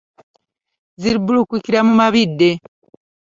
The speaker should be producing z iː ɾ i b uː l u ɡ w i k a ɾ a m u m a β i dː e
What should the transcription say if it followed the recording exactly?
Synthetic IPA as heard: z i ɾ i b u l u k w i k i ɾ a m u m a β i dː e